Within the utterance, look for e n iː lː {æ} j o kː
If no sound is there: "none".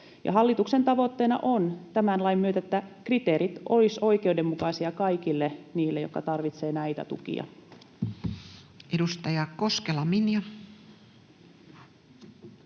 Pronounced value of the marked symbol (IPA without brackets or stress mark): e